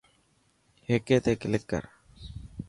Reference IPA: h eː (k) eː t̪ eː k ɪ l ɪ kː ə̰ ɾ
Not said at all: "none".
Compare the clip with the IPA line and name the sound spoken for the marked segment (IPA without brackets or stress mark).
k